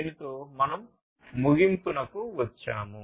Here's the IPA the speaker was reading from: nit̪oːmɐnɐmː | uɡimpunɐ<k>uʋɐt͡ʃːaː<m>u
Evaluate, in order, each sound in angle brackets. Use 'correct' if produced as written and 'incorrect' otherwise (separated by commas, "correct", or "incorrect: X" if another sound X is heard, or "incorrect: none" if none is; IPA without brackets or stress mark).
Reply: correct, correct